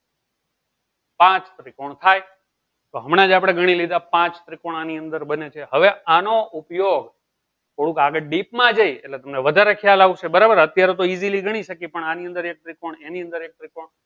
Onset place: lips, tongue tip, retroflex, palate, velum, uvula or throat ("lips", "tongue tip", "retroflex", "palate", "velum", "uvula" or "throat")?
lips